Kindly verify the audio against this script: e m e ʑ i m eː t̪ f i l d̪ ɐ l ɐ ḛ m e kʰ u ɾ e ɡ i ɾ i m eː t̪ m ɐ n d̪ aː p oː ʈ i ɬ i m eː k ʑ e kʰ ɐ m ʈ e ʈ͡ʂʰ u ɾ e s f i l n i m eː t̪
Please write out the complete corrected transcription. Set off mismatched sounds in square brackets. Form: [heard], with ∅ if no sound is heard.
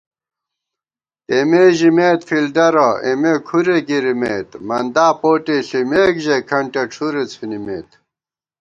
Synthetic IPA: e m e ʑ i m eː t̪ f i l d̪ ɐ [ɾ] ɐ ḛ m e kʰ u ɾ e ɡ i ɾ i m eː t̪ m ɐ n d̪ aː p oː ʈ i ɬ i m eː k ʑ e kʰ ɐ [ɳ] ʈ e ʈ͡ʂʰ u ɾ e [t͡s] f i [∅] n i m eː t̪